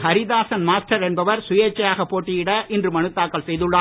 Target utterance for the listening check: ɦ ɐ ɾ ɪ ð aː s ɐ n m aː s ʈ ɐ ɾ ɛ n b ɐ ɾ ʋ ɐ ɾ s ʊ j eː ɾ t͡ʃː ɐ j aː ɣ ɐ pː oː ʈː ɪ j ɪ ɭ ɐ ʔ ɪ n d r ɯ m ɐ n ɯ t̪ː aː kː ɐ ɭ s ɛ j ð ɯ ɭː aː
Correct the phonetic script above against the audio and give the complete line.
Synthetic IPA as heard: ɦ ɐ ɾ ɪ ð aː s ɐ n m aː s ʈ ɐ ɾ ɛ n b ɐ ʋ ɐ ɾ s ʊ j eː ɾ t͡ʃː ɐ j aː ɣ ɐ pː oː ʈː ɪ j ɪ ɽ ɐ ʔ ɪ n d r ɯ m ɐ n ɯ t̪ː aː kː ɐ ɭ s ɛ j ð ɯ ɭː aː

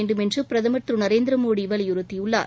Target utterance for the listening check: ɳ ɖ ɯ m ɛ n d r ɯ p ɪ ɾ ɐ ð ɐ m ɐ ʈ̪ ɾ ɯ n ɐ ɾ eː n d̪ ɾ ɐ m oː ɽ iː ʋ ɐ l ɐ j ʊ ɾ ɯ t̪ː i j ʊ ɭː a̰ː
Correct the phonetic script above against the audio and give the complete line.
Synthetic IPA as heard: ɳ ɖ ɯ m ɛ n d r ɯ p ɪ ɾ ɐ ð ɐ m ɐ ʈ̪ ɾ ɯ n ɐ ɾ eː n d̪ ɾ ɐ m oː ɽ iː ʋ ɐ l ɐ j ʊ ɾ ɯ t̪ː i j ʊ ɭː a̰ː

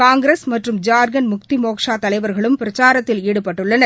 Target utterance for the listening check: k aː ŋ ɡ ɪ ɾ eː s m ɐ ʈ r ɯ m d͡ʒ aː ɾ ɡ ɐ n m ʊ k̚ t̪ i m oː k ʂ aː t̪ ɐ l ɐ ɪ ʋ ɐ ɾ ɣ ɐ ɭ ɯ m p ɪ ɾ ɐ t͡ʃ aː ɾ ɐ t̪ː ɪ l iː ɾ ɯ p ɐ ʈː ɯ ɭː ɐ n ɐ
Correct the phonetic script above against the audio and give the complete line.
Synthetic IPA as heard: k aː ŋ ɡ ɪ ɾ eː s m ɐ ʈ r ɯ m d͡ʒ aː ɾ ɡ ɐ n m ʊ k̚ t̪ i m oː k ʂ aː t̪ ɐ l ɐ ɪ ʋ ɐ ɾ ɣ ɐ ɭ ɯ m p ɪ ɾ ɐ t͡ʃ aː ɾ ɐ t̪ː ɪ l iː ɽ ɯ p ɐ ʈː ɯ ɭː ɐ n ɐ

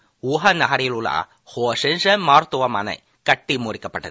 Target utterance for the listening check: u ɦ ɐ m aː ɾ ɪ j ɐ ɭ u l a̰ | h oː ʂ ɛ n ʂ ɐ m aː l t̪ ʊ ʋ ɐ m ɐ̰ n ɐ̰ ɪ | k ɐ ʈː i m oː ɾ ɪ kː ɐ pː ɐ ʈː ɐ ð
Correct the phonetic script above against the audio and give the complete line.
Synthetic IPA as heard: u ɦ ɐ n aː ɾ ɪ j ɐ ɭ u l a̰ | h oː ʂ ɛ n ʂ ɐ m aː ɾ t̪ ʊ ʋ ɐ m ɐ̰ n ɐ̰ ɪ | k ɐ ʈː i m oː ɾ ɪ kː ɐ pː ɐ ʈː ɐ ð

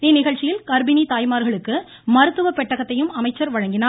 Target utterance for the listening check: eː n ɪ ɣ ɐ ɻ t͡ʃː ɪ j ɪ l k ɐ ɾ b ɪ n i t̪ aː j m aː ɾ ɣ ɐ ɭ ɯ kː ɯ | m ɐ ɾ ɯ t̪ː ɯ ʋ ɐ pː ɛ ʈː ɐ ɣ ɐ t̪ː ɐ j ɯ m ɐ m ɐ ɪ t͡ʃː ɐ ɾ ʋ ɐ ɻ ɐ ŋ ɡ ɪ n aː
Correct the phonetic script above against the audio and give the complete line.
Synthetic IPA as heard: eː n ɪ ɣ ɐ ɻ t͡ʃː ɪ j ɪ l k ɐ ɾ b ɪ n i t̪ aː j m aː ɾ ɣ ɐ ɭ ɯ kː ɯ | m ɐ ɾ ɯ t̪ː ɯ ʋ ɐ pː ɛ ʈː ɐ ɣ ɐ t̪ː ɐ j ɯ m ɐ m ɐ ɪ t͡ʃː ɐ ɾ ʋ ɐ ɻ ɐ ŋ ɡ ɪ n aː

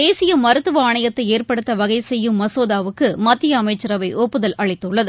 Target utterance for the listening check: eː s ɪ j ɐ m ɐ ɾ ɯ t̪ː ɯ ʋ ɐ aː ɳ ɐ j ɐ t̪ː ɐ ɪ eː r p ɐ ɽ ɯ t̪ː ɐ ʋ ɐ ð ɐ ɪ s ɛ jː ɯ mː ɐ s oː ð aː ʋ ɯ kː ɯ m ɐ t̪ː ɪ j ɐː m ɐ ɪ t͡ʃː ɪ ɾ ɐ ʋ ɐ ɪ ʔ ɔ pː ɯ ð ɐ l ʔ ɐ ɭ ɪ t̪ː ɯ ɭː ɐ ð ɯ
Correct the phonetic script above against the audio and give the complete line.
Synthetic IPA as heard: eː s ɪ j ɐ m ɐ ɾ ɯ t̪ː ɯ ʋ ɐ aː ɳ ɐ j ɐ t̪ː ɐ ɪ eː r p ɐ ɽ ɯ t̪ː ɐ ʋ ɐ ɣ ɐ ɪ s ɛ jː ɯ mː ɐ s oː ð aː ʋ ɯ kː ɯ m ɐ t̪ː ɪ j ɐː m ɐ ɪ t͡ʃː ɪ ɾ ɐ ʋ ɐ ɪ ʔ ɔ pː ɯ ð ɐ l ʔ ɐ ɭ ɪ t̪ː ɯ ɭː ɐ ð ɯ

